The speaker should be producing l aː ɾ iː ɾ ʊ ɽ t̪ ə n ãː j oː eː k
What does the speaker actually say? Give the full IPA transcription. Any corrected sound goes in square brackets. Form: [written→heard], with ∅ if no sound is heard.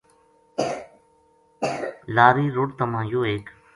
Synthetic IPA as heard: l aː ɾ iː ɾ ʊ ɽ t̪ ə [n→m] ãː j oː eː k